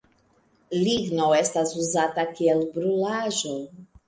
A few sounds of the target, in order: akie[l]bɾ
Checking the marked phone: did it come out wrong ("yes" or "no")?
no